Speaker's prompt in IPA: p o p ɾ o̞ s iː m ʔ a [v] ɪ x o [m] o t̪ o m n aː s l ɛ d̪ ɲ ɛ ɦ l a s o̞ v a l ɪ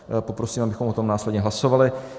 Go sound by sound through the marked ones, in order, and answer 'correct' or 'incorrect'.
incorrect: b, correct

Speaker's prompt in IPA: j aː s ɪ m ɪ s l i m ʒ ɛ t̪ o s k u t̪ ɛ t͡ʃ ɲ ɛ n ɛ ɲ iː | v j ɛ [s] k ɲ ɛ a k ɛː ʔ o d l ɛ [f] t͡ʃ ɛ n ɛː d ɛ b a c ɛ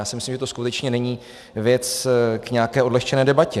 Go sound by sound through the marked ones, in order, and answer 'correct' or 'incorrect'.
incorrect: t͡s, incorrect: x

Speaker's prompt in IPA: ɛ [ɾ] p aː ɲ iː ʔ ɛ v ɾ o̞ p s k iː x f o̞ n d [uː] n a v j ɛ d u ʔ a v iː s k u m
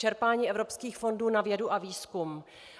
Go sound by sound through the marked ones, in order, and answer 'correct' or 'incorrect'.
correct, correct

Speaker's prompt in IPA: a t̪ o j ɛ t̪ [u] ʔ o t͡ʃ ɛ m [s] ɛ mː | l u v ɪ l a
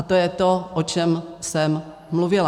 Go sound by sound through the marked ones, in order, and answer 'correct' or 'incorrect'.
incorrect: o, correct

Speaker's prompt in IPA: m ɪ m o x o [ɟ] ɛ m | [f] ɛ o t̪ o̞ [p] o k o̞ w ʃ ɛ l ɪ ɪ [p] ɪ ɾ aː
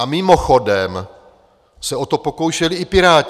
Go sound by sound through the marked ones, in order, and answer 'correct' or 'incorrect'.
incorrect: d, incorrect: s, correct, correct

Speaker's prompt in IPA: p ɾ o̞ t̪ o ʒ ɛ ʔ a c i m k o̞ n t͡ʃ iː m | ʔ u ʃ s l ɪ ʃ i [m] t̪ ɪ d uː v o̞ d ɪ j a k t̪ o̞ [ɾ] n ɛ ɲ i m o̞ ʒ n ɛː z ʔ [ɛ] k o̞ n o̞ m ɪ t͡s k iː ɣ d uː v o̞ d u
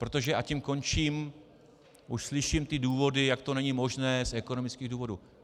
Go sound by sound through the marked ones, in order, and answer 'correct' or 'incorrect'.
correct, incorrect: none, correct

